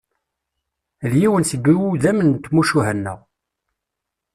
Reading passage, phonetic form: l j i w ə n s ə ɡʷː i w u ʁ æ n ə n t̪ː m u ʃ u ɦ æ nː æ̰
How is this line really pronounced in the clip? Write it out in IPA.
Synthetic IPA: l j i w ə n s ə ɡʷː i w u ð æ m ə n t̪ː m u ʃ u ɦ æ nː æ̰